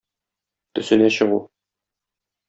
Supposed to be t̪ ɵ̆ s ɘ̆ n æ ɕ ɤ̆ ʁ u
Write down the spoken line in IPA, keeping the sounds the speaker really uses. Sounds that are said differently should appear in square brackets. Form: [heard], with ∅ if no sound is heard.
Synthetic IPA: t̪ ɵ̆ s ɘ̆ n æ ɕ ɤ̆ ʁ u